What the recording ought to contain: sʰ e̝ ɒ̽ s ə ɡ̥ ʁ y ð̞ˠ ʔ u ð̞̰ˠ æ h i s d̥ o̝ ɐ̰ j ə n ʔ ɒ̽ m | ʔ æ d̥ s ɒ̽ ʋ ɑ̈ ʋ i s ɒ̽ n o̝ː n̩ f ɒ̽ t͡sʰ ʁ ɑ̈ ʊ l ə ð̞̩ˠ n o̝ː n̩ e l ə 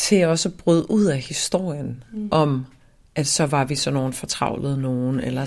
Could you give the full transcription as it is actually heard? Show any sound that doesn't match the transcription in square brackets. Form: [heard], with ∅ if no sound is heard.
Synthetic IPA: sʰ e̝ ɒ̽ s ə [b̥] ʁ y ð̞ˠ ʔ u ð̞̰ˠ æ h i s d̥ o̝ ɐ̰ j ə n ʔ ɒ̽ m | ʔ æ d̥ s ɒ̽ ʋ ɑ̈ ʋ i s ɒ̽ n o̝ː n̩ f ɒ̽ t͡sʰ ʁ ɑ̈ ʊ l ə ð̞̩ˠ n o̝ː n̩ e l [ɐ]